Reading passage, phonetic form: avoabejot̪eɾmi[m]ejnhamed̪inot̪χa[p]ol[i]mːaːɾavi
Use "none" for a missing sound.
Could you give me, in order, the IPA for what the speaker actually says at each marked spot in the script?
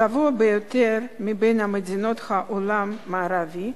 b, ʔ, a

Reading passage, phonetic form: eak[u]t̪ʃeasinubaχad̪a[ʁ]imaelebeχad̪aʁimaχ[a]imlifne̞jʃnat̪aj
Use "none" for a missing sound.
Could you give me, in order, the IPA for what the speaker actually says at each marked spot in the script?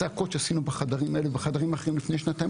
o, ʁ, e

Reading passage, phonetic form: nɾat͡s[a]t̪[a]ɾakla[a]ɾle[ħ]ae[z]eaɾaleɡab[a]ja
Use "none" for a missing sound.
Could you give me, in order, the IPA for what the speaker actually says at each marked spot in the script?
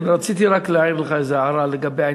i, i, i, χ, z, e

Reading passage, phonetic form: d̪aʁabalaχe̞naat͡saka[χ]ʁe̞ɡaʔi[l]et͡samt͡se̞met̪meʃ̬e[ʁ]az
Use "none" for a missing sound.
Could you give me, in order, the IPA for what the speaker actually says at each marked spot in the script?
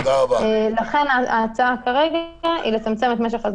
none, l, χ

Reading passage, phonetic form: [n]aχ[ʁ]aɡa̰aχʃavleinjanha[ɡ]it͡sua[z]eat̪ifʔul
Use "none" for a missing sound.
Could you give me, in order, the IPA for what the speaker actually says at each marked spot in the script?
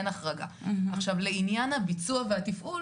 n, ʁ, b, v

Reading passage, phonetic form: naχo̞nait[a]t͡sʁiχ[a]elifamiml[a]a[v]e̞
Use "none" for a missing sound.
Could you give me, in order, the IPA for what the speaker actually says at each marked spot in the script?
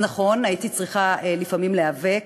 i, a, e, v

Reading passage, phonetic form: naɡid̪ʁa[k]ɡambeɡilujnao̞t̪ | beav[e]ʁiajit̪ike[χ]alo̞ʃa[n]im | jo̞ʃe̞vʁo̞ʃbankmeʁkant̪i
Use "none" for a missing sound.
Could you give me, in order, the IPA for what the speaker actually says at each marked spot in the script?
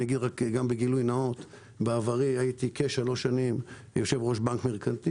k, a, ʃ, n

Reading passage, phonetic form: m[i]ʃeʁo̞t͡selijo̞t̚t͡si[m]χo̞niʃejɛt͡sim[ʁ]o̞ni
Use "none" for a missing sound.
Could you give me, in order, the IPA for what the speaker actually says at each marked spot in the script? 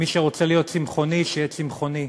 i, m, χ

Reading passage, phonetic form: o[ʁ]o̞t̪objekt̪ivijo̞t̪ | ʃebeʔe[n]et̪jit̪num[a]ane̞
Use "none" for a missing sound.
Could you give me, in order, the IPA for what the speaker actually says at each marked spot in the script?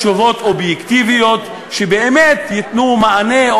v, m, a

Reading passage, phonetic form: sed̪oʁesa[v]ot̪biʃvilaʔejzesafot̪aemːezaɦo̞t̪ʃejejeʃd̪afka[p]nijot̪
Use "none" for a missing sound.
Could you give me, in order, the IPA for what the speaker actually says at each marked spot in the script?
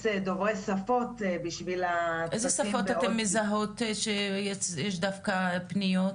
f, p

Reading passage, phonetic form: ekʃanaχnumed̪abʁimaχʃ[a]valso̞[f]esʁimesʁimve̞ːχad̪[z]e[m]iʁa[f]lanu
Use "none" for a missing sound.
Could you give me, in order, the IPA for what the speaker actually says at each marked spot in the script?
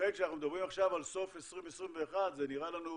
a, f, z, n, none

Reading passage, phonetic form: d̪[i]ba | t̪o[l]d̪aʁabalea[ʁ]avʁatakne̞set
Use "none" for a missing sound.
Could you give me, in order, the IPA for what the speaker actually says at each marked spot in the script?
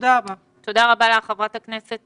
a, none, χ

